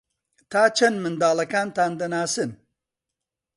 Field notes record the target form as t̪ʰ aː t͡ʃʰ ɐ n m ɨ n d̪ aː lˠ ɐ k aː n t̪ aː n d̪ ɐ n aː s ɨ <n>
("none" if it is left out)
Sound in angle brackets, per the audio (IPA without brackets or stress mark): n